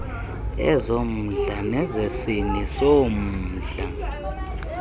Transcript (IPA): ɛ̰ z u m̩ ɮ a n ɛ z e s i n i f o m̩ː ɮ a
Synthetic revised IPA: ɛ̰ z o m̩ ɮ a n ɛ z e s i n i s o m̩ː ɮ a